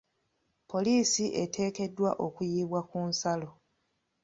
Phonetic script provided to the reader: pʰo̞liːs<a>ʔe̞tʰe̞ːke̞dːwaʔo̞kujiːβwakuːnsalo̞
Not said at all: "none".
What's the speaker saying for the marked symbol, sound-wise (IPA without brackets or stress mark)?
i